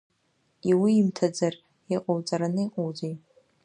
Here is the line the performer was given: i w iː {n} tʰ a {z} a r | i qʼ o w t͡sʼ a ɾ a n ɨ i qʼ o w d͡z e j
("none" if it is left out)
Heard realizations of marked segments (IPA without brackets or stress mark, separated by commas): m, d͡z